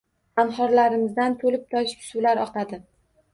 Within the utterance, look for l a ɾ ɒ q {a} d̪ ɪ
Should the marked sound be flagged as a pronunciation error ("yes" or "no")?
no